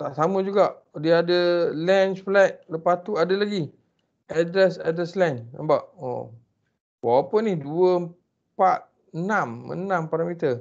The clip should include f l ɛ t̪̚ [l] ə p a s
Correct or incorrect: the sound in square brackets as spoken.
correct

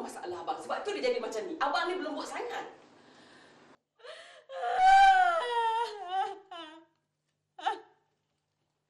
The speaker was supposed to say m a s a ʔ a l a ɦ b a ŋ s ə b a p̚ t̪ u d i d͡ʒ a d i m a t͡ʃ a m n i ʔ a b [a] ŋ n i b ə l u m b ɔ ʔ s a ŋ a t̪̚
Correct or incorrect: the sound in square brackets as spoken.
correct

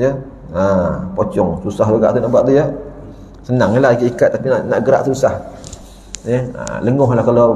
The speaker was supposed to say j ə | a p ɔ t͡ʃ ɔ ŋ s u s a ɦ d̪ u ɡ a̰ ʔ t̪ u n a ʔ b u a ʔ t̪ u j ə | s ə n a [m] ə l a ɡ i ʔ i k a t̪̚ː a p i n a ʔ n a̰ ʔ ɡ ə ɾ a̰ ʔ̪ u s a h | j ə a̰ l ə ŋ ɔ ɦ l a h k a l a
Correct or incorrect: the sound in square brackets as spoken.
incorrect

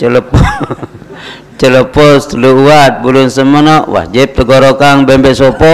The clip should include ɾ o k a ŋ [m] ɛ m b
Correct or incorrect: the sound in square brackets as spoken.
incorrect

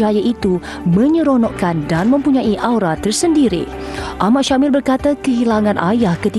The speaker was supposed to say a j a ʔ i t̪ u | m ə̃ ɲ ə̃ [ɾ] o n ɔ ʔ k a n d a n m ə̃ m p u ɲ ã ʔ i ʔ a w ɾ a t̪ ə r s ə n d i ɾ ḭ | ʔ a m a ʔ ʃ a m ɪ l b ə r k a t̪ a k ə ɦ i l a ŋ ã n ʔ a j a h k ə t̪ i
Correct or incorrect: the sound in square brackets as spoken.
correct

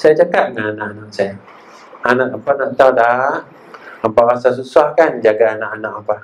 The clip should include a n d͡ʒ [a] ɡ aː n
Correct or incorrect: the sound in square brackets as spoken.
correct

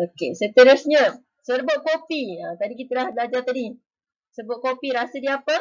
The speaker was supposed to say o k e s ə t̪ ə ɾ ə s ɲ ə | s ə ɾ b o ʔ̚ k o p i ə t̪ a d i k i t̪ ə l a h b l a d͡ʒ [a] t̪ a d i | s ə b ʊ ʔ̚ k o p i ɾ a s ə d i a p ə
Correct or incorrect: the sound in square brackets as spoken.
correct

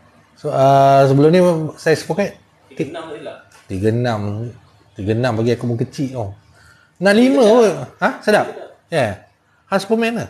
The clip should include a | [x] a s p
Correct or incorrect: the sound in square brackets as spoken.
incorrect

